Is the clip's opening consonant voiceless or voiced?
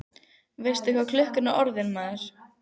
voiced